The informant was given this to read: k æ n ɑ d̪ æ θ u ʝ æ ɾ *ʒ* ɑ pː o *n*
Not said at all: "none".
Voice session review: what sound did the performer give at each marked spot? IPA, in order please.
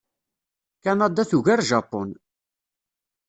ʒ, n

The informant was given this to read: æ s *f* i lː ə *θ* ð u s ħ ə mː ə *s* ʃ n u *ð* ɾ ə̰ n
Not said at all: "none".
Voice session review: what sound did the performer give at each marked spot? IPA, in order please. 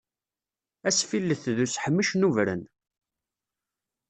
f, θ, none, v

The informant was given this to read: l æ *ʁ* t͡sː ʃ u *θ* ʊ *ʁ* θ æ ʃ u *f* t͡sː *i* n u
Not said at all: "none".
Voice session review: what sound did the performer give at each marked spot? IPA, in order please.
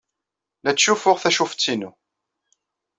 none, f, ʁ, f, i

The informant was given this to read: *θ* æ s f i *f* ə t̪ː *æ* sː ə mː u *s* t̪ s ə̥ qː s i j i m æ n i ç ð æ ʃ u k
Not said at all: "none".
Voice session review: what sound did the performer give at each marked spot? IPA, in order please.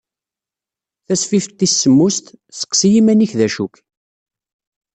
θ, f, i, s

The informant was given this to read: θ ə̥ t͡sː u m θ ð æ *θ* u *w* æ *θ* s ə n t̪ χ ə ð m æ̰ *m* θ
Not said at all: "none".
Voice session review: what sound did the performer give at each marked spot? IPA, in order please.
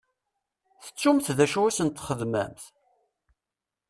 ʃ, w, none, m

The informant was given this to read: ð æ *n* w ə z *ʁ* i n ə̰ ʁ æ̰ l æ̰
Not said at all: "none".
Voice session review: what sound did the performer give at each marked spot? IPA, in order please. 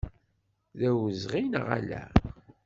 none, ʁ

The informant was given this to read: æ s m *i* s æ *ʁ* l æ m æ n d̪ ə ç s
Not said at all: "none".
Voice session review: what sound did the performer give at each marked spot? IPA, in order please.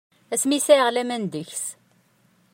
i, ʁ

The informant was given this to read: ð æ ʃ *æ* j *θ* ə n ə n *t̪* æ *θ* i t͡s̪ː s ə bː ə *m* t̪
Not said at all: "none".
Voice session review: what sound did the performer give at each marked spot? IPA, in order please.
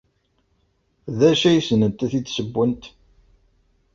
æ, s, t̪, θ, n

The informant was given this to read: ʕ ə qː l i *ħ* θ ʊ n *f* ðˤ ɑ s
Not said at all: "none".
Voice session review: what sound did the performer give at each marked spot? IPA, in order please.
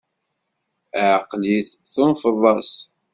θ, f

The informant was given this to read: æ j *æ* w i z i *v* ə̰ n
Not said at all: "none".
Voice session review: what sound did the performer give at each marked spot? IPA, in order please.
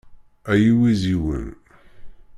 i, w

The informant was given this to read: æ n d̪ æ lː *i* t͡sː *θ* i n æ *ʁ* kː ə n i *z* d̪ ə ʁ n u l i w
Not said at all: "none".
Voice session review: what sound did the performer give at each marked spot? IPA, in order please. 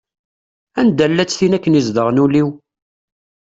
æ, θ, none, z

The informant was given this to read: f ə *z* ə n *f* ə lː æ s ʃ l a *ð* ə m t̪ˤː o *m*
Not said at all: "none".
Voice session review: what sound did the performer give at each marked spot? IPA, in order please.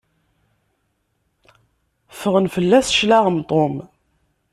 ʁ, f, ʁ, m

